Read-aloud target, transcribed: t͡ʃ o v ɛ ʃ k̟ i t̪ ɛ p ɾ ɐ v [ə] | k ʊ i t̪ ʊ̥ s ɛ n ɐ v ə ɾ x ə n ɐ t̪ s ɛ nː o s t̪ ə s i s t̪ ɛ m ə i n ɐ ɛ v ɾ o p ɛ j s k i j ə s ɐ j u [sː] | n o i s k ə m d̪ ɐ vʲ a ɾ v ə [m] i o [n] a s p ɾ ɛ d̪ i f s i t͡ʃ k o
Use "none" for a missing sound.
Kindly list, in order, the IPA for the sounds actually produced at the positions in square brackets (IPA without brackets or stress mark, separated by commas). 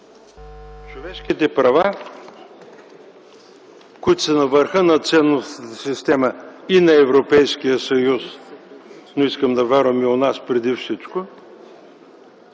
a, s, m, n